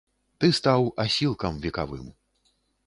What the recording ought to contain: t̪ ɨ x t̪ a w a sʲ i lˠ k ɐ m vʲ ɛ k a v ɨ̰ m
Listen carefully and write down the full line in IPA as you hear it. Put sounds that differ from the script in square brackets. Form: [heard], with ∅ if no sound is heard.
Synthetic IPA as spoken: t̪ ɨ [s] t̪ a w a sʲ i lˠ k ɐ m vʲ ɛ k a v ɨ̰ m